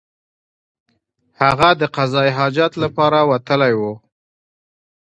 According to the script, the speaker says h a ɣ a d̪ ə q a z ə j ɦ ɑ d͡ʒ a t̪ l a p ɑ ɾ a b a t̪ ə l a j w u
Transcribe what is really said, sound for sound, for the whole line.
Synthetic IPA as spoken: h a ɣ a d̪ ə q a z ɑ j ɦ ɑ d͡ʒ a t̪ l a p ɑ ɾ a w a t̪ ə l a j w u